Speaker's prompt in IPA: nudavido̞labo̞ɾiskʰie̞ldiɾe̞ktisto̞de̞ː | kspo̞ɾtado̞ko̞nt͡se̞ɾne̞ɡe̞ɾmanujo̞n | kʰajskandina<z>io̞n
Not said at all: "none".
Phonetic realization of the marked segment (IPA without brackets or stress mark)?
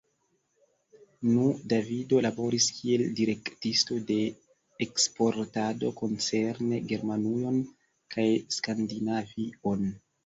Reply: v